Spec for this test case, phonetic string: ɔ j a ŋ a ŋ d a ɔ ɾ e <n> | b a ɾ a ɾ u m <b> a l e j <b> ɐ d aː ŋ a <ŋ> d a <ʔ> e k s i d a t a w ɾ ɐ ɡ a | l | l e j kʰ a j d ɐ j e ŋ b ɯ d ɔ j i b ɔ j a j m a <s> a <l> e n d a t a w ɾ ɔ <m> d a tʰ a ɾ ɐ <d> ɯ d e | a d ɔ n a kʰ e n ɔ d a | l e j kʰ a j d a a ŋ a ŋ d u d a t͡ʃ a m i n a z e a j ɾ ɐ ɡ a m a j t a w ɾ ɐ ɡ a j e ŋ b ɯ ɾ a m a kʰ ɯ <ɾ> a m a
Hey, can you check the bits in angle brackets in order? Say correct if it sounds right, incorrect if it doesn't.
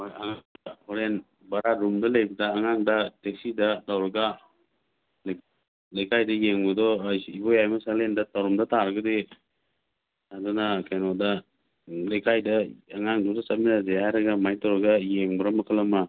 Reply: correct, incorrect: d, correct, correct, incorrect: t, correct, correct, correct, incorrect: ɡ, incorrect: l

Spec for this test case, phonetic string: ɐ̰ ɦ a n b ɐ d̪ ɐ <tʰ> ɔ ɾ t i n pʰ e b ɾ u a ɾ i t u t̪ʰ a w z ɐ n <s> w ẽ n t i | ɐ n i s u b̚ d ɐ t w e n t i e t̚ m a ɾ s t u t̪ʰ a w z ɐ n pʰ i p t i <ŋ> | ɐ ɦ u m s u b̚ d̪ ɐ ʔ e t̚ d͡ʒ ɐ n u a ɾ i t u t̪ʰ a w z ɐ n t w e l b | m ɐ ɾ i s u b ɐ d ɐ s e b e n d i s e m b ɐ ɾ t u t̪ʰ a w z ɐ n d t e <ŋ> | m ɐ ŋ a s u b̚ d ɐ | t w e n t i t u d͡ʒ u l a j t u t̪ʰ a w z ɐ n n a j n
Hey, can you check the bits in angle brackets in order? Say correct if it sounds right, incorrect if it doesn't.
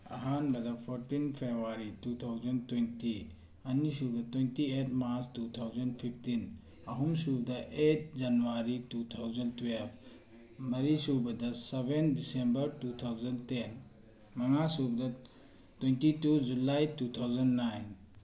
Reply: incorrect: pʰ, incorrect: t, incorrect: n, incorrect: n

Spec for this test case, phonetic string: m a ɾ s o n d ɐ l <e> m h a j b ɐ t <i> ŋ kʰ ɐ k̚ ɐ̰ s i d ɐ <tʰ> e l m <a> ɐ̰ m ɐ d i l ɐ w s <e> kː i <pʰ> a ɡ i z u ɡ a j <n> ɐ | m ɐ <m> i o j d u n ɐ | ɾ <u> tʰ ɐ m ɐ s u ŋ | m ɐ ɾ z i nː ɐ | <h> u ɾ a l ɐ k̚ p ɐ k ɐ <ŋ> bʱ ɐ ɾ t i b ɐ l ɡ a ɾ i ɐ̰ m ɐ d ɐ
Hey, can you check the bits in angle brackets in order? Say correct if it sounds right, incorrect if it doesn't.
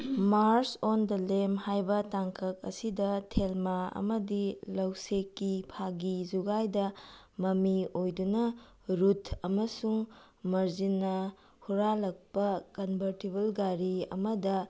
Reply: correct, incorrect: a, correct, correct, correct, correct, incorrect: d, correct, correct, correct, incorrect: n

